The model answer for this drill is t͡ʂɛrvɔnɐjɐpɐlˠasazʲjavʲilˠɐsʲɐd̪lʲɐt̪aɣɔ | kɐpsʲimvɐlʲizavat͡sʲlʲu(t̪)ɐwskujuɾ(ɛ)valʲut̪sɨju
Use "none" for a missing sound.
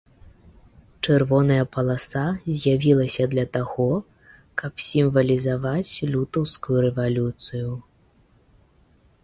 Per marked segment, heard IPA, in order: t̪, ɛ

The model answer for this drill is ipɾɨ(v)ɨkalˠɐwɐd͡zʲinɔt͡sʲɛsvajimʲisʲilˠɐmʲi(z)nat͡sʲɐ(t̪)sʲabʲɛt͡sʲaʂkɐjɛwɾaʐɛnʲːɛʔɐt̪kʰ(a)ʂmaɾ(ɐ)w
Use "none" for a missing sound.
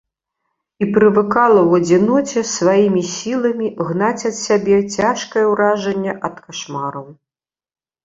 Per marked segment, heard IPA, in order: v, ɣ, t̪, a, ɐ

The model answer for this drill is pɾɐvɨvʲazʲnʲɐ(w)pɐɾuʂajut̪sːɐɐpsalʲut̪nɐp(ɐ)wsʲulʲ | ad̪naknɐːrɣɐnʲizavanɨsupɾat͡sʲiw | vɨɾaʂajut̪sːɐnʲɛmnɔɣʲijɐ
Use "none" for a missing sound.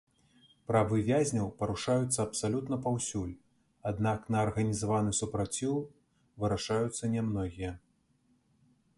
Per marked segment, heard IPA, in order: w, a

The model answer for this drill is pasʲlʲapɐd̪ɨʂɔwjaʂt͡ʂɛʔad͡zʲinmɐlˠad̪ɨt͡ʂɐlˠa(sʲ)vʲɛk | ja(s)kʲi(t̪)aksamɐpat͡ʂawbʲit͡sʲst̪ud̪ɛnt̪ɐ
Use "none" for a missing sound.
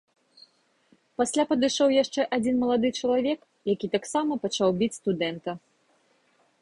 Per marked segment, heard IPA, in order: none, none, t̪

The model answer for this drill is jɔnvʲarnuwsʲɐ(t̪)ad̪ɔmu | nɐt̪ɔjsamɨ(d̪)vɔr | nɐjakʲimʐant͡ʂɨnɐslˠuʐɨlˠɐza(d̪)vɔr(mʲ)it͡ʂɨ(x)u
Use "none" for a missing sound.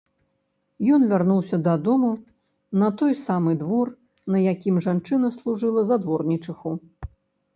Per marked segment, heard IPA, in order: d̪, d̪, d̪, nʲ, x

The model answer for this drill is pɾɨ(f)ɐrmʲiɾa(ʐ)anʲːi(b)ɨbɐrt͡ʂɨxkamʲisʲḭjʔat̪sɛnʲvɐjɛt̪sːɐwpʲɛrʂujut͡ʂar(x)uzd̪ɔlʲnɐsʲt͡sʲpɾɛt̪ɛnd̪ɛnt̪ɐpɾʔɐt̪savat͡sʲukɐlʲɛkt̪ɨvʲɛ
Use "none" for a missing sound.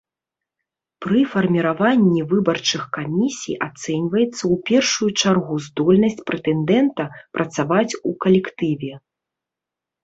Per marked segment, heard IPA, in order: f, v, v, ɣ

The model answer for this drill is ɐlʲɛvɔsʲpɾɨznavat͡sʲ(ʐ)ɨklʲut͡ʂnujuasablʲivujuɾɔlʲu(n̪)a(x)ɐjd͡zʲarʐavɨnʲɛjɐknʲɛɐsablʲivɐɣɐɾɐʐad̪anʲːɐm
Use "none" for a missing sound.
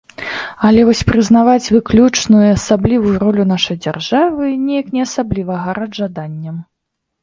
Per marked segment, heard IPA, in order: v, n̪, ʂ

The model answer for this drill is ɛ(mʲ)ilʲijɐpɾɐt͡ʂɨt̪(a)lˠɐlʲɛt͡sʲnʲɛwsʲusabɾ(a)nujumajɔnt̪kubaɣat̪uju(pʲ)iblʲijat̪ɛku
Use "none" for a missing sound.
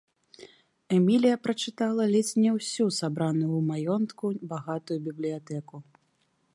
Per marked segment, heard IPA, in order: mʲ, a, a, bʲ

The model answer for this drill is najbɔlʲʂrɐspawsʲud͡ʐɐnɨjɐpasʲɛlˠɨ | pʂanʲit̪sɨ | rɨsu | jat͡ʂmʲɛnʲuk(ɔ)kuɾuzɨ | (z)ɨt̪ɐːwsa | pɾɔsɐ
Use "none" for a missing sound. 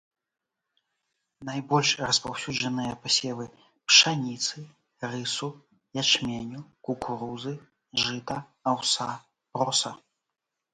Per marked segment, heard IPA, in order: u, ʐ

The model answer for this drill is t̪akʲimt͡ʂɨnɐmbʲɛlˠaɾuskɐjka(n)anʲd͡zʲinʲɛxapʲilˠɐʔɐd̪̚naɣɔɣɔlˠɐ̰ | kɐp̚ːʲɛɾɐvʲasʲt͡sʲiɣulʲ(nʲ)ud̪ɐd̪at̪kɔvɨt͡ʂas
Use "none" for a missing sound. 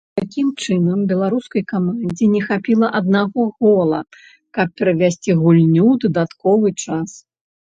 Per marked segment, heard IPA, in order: m, nʲ

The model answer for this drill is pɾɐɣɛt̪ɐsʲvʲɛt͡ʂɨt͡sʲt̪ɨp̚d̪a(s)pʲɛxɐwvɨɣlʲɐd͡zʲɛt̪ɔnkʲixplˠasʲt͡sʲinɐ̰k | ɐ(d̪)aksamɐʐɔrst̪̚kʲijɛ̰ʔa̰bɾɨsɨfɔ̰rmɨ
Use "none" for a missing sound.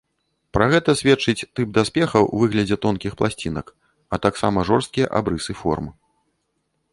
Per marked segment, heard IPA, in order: s, t̪

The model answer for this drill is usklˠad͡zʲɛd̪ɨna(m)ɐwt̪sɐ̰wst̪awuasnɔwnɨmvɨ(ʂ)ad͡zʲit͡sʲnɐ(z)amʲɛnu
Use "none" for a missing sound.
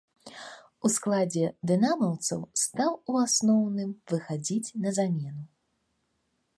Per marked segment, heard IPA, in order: m, x, z

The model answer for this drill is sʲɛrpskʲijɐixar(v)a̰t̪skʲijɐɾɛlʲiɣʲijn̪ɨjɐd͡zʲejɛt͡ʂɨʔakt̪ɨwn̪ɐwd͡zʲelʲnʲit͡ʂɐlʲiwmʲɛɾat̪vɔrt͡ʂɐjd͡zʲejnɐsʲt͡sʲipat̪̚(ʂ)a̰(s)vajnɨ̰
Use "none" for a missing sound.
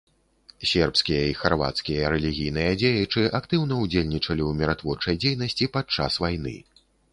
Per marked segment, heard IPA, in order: v, t͡ʂ, s

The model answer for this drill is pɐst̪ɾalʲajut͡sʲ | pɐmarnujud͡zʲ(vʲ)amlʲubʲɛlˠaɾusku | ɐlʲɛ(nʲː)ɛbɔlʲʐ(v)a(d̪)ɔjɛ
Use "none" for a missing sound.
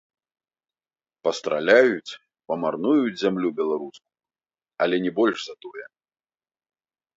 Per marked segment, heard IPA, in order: zʲ, nʲ, z, t̪

